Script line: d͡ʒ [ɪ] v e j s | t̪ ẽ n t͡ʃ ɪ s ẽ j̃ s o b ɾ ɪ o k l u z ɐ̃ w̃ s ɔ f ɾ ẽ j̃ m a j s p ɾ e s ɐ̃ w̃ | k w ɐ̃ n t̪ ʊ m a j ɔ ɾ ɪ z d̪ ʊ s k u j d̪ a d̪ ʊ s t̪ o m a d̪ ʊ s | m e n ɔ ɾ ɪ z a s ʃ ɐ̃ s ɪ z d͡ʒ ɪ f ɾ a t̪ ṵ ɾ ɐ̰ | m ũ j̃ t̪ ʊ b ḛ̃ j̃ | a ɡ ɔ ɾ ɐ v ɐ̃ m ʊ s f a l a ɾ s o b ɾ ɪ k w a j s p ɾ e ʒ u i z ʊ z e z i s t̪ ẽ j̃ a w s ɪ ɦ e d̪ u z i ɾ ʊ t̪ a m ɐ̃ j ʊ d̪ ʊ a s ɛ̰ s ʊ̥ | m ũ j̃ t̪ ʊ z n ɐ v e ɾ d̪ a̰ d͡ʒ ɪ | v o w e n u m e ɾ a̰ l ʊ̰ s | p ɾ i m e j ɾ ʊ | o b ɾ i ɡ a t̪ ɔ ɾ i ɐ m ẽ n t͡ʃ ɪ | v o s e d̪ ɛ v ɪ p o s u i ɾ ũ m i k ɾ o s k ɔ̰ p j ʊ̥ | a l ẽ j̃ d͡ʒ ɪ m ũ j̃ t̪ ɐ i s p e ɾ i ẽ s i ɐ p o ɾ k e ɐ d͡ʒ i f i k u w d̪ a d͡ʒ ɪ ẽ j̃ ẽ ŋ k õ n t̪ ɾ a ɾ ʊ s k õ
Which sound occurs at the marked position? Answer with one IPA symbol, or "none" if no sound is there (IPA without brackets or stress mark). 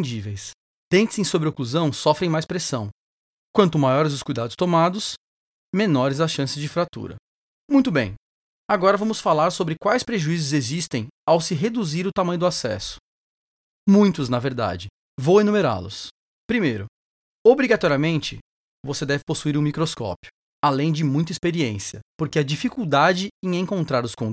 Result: i